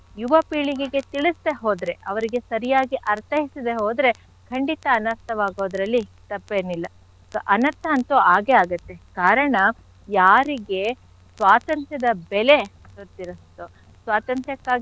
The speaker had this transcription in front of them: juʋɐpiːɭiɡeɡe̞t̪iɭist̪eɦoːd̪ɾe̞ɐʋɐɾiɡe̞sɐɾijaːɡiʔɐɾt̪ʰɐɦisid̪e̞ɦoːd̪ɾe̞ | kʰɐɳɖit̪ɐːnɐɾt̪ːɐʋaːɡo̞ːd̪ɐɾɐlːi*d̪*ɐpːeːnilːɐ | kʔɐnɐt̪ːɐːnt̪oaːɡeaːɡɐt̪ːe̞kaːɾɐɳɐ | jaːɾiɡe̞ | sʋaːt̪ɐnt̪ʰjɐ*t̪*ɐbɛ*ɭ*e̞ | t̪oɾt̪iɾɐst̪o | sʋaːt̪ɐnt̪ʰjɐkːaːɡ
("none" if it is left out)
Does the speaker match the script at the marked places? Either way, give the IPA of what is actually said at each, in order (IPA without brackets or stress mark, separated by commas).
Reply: t̪, d̪, l